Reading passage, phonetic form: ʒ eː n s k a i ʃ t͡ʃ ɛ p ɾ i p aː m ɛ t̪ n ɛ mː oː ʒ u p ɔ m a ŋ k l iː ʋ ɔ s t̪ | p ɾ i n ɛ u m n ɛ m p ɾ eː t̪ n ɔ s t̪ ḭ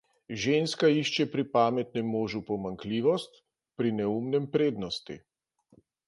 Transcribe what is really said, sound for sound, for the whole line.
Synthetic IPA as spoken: ʒ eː n s k a i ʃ t͡ʃ ɛ p ɾ i p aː m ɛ t̪ n ɛ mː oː ʒ u p ɔ m a ŋ k l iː ʋ ɔ s t̪ | p ɾ i n ɛ u m n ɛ m p ɾ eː d̪ n ɔ s t̪ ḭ

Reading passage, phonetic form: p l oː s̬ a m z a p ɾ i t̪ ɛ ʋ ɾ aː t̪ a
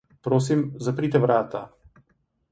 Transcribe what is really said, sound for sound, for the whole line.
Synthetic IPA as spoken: p ɾ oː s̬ i m z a p ɾ i t̪ ɛ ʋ ɾ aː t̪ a

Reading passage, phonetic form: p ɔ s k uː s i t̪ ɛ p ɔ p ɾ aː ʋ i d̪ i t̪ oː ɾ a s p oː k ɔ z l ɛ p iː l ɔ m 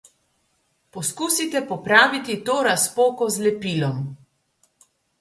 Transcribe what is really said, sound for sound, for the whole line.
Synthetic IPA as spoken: p ɔ s k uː s i t̪ ɛ p ɔ p ɾ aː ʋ i t̪ i t̪ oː ɾ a s p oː k ɔ z l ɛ p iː l ɔ m

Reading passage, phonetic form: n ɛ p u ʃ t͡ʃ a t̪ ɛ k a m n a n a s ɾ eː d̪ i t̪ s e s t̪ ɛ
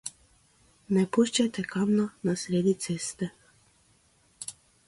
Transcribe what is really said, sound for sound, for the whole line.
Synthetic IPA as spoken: n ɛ p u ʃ t͡ʃ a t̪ ɛ k a m n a n a s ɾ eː d̪ i t̪ s e s t̪ ɛ

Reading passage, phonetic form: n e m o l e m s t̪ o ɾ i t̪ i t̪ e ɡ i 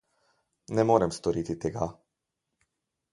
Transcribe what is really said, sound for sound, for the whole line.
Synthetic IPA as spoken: n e m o ɾ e m s t̪ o ɾ i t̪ i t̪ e ɡ a

